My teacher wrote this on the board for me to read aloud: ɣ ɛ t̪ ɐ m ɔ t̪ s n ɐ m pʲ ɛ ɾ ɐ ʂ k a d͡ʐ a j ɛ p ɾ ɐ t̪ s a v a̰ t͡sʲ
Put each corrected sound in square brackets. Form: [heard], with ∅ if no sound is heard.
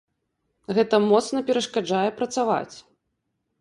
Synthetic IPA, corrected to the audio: ɣ ɛ t̪ ɐ m ɔ t̪ s n ɐ [∅] pʲ ɛ ɾ ɐ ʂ k a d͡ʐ a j ɛ p ɾ ɐ t̪ s a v a̰ t͡sʲ